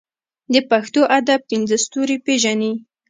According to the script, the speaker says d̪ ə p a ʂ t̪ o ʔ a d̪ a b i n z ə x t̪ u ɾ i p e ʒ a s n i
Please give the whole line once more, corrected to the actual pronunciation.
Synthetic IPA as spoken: d̪ ə p a x t̪ o ʔ a d̪ a p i n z ə s t̪ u ɾ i p e ʒ a n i